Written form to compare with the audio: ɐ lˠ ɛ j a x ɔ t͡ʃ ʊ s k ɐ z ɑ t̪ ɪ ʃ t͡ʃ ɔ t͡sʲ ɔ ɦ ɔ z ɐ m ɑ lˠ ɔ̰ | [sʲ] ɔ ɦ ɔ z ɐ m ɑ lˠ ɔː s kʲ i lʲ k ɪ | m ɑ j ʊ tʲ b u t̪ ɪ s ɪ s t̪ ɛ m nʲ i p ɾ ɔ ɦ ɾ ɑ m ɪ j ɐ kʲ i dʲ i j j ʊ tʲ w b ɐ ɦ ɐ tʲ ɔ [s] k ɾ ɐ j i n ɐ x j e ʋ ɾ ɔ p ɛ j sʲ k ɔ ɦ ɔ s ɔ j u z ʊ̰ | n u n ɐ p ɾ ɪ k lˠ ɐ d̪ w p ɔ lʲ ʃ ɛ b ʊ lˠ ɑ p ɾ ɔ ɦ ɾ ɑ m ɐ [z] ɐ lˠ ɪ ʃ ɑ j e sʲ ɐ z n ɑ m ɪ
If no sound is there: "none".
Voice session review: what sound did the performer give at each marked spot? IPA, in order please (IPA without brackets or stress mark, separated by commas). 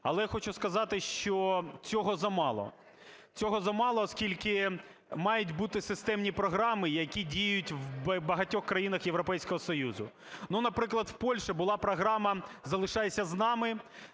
t͡sʲ, x, z